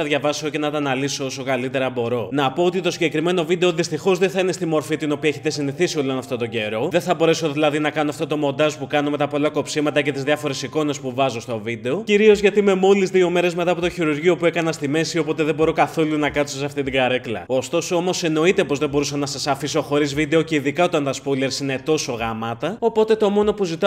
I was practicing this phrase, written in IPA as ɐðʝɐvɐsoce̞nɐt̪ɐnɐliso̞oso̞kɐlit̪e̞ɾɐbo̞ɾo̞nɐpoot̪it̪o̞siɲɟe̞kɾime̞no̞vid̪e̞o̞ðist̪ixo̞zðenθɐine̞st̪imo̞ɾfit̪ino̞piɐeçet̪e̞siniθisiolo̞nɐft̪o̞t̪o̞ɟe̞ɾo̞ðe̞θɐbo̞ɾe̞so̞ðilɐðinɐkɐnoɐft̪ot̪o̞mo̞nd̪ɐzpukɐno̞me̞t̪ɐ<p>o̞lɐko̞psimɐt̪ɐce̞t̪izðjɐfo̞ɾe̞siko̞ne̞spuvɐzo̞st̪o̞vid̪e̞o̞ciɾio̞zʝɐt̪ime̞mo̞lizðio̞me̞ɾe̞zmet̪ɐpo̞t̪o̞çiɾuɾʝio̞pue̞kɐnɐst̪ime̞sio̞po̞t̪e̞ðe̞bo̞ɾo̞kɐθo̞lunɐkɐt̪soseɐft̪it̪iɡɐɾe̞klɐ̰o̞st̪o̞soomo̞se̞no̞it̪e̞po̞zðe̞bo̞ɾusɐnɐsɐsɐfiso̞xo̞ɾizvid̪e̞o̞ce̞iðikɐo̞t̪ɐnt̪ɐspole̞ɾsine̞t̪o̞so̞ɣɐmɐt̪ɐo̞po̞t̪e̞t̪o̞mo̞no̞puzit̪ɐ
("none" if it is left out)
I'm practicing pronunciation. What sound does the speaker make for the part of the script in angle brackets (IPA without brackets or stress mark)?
p